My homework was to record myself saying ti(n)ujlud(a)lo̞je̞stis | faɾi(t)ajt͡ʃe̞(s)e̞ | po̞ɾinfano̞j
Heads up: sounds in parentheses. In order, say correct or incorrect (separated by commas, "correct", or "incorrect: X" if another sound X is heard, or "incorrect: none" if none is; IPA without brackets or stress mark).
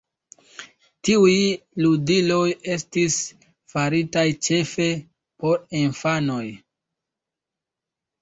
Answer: incorrect: none, incorrect: i, correct, incorrect: f